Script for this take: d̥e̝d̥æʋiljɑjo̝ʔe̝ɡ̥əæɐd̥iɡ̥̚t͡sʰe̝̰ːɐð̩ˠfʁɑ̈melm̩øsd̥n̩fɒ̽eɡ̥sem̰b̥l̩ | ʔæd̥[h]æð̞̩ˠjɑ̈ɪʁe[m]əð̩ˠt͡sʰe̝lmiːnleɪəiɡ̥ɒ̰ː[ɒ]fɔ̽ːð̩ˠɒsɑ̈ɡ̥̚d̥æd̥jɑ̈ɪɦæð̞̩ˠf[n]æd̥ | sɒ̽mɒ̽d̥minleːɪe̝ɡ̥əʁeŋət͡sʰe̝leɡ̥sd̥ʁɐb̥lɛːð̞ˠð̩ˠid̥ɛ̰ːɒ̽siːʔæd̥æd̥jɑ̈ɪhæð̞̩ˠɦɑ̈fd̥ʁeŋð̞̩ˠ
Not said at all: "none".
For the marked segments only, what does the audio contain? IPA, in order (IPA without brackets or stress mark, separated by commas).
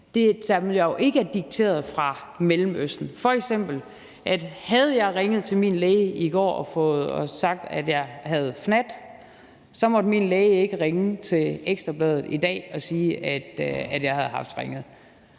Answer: h, ŋ, ɒ, n